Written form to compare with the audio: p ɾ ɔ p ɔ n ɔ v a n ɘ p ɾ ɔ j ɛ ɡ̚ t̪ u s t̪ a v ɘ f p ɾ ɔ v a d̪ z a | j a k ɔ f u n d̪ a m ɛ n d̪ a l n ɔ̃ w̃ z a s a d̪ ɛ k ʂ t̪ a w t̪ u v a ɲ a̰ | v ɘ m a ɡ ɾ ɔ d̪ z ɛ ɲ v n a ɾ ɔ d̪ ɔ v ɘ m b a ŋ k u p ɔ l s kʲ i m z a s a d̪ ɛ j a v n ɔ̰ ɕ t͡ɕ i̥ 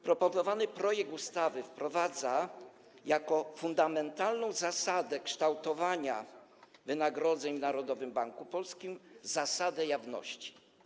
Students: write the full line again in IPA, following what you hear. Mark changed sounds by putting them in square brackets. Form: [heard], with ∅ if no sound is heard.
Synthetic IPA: p ɾ ɔ p ɔ n ɔ v a n ɘ p ɾ ɔ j ɛ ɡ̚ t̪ u s t̪ a v ɘ f p ɾ ɔ v a d̪ z a | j a k ɔ f u n d̪ a m ɛ n [t̪] a l n ɔ̃ w̃ z a s a d̪ ɛ k ʂ t̪ a w t̪ [ɔ] v a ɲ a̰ | v ɘ [n] a ɡ ɾ ɔ d̪ z ɛ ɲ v n a ɾ ɔ d̪ ɔ v ɘ m b a ŋ k u p ɔ l s kʲ i m z a s a d̪ ɛ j a v n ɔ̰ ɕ t͡ɕ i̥